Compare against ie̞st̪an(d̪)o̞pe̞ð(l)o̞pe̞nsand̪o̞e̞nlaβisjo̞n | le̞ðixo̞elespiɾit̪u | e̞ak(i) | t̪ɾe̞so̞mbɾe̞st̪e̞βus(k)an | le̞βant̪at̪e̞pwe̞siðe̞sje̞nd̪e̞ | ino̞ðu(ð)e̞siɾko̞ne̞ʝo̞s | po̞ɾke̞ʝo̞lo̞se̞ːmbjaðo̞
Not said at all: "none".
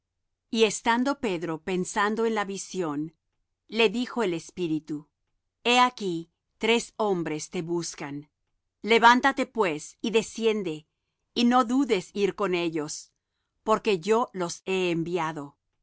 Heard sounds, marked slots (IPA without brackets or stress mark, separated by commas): d̪, ɾ, i, k, ð